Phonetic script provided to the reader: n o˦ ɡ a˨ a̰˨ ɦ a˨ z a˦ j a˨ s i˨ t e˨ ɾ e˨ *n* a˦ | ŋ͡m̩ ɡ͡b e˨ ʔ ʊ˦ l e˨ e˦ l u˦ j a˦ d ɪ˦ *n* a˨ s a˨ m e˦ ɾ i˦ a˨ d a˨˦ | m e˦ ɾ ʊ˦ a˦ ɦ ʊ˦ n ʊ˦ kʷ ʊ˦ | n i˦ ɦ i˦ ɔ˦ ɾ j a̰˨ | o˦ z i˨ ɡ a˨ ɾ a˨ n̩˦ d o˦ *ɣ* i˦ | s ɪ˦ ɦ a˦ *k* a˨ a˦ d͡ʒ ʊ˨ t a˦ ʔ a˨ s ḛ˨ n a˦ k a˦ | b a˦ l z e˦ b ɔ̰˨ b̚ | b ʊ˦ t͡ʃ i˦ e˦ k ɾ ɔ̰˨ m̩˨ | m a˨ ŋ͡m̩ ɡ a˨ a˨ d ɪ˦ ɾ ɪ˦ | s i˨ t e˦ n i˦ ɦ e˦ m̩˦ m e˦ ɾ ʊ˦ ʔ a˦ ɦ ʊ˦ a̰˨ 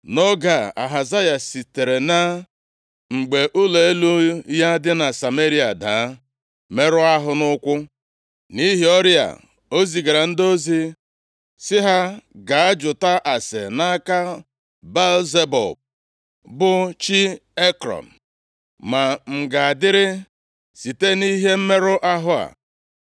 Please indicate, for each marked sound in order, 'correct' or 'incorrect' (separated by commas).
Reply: correct, correct, incorrect, incorrect